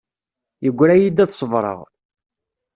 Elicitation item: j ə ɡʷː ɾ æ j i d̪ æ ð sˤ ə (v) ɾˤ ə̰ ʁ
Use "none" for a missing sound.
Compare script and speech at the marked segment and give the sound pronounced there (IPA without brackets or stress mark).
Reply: v